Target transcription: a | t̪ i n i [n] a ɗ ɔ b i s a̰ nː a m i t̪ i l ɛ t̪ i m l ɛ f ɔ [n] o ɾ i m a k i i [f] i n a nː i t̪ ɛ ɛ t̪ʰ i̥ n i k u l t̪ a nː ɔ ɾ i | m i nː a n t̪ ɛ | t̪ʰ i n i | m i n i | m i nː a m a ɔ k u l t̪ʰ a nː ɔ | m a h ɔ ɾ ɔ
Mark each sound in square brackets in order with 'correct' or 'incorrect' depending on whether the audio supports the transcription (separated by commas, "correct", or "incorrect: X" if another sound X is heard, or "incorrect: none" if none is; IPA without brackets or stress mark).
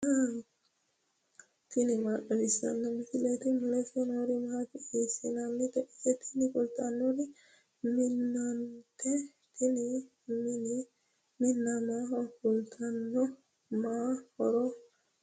incorrect: m, correct, incorrect: s